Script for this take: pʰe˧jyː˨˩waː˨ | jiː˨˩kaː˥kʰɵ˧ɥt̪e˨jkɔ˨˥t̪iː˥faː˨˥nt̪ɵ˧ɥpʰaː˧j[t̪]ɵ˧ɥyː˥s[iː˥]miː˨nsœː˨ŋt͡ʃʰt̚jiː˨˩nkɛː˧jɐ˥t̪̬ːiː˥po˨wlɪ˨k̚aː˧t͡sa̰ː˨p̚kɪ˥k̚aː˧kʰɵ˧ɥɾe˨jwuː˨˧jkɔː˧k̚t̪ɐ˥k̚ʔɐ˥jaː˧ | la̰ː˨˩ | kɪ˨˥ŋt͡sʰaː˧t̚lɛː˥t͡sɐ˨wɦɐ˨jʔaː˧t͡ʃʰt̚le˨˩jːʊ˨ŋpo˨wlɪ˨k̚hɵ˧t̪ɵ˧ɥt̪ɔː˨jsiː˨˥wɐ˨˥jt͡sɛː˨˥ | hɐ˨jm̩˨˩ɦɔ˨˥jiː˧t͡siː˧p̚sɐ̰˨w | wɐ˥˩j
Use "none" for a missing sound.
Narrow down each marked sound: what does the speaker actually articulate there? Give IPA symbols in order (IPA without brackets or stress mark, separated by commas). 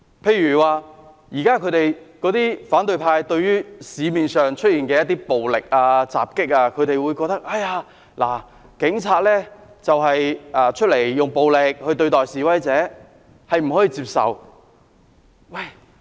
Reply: t̪, iː˨˧